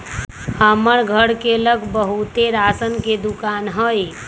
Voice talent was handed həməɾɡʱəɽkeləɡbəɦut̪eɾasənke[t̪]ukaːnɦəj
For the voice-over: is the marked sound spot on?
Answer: no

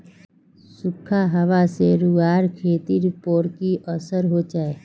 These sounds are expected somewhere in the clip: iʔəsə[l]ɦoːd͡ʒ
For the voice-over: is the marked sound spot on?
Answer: no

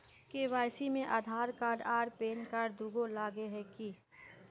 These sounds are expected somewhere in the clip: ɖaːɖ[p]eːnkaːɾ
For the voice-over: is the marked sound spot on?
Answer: yes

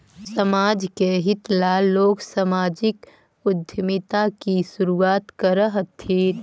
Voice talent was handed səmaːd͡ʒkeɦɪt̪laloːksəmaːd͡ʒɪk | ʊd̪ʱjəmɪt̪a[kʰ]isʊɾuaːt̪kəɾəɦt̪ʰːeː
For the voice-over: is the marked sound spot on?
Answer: no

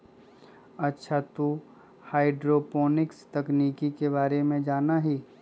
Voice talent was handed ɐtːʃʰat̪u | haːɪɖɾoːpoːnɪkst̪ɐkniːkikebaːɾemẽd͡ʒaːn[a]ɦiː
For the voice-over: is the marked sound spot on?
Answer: yes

